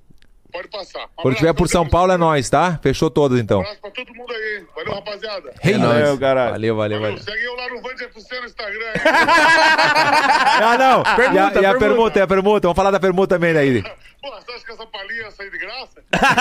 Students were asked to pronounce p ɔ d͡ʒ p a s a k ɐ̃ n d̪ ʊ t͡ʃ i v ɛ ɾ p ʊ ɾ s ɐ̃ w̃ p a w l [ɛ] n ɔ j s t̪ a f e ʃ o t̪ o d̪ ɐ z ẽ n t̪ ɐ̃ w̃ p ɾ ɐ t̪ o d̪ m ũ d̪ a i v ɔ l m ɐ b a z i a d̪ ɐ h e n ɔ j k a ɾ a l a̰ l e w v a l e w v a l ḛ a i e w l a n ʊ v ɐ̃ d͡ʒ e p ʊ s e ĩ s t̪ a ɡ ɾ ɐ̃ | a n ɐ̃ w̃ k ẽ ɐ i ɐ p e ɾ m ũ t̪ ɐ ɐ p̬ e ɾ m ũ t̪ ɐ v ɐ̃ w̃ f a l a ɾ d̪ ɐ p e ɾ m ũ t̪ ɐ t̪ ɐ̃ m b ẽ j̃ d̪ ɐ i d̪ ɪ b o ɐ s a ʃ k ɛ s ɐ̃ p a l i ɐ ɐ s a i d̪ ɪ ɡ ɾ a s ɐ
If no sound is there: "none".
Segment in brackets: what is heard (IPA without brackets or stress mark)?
ɛ